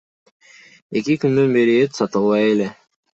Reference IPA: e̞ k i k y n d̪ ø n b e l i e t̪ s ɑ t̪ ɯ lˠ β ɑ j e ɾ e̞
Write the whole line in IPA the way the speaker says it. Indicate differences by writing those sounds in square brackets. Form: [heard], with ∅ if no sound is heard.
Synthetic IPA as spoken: e̞ k i k y n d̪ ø n b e [ɾ] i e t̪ s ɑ t̪ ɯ lˠ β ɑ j e [l] e̞

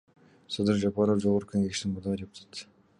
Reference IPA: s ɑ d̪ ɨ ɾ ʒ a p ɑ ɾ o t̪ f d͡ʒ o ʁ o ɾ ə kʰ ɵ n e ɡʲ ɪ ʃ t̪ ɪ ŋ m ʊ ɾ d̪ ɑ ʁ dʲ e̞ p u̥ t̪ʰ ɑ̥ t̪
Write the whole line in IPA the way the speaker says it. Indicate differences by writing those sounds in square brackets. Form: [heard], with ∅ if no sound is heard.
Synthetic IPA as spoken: s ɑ d̪ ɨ ɾ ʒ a p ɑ ɾ o [∅] f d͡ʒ o ʁ o ɾ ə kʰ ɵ [ŋ] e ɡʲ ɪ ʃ t̪ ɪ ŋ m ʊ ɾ d̪ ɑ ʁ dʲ e̞ p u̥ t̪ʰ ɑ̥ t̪

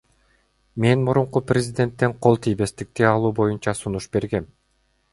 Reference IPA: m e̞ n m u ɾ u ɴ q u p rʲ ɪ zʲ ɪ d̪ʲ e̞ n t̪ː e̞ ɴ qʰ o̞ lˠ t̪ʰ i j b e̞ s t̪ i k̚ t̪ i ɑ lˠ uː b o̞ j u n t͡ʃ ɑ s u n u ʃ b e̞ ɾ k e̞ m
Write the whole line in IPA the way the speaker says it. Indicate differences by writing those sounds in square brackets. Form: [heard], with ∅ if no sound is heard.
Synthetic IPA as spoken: m e̞ n m u ɾ u ɴ q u p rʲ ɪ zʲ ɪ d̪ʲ e̞ n t̪ː e̞ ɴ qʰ o̞ lˠ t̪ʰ i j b e̞ s t̪ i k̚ t̪ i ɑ lˠ uː b o̞ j u n t͡ʃ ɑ s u n u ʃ b e̞ ɾ [ɡ] e̞ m

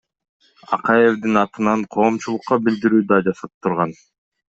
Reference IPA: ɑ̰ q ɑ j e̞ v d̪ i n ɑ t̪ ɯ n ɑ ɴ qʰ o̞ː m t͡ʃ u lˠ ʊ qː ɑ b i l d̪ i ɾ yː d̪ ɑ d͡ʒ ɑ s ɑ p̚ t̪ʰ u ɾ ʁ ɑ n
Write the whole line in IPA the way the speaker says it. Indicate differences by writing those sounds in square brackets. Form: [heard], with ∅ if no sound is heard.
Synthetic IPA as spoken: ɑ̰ q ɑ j e̞ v d̪ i n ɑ t̪ ɯ n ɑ ɴ qʰ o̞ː m t͡ʃ u lˠ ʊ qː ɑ b i l d̪ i ɾ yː d̪ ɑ d͡ʒ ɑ s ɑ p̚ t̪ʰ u ɾ ʁ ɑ n

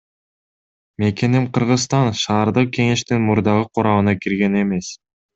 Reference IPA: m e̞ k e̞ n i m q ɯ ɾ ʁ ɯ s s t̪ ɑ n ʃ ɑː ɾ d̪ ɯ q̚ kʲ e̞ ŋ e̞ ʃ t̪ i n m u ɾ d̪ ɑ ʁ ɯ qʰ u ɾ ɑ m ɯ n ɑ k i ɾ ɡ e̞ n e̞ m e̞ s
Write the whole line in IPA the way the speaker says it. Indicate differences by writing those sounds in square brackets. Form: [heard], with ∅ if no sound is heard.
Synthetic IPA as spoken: m e̞ k e̞ n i m q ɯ ɾ ʁ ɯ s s t̪ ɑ n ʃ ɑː ɾ d̪ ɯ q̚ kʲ e̞ ŋ e̞ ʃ t̪ i n m u ɾ d̪ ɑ ʁ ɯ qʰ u ɾ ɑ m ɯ n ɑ k i ɾ ɡ e̞ n e̞ m e̞ s

